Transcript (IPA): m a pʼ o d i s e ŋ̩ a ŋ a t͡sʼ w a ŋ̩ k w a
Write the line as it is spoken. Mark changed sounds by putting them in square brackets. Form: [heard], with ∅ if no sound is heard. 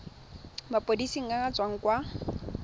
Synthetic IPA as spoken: m a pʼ o d i s [i] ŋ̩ a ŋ a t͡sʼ w a ŋ̩ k w a